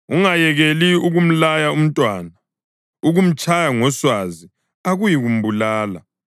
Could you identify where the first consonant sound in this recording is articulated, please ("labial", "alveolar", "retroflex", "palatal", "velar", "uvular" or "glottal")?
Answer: velar